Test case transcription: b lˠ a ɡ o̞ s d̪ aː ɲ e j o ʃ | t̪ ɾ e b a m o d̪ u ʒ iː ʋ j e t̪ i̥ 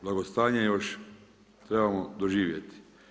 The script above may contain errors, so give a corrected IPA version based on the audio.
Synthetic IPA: b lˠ a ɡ o̞ s t̪ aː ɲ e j o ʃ | t̪ ɾ e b a m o d̪ o ʒ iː ʋ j e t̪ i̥